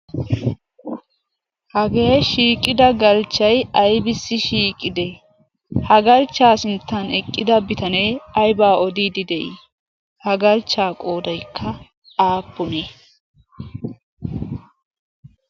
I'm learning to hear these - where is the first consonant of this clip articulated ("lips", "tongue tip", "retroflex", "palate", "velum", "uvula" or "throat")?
throat